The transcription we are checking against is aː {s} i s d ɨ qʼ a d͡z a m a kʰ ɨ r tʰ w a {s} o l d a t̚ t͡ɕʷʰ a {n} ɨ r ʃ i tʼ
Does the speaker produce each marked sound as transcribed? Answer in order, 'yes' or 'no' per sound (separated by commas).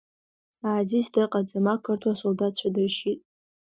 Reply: no, yes, no